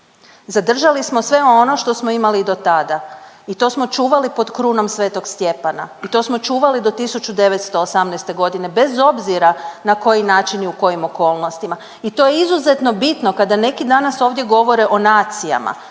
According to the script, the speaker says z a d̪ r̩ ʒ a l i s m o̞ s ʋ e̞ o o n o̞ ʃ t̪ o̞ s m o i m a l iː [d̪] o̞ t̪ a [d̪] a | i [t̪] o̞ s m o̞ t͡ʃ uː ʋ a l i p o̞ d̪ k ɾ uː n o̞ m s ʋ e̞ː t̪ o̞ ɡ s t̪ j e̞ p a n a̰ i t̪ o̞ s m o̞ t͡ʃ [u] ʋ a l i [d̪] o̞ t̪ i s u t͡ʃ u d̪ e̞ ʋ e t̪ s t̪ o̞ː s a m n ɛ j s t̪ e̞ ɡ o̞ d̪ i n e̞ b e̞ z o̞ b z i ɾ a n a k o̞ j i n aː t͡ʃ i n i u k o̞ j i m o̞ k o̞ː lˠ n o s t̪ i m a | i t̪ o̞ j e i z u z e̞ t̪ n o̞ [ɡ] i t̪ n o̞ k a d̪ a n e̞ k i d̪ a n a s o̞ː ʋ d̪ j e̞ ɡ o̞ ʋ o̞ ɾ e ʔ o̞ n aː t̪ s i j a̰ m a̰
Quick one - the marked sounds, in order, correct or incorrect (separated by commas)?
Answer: correct, correct, correct, incorrect, correct, incorrect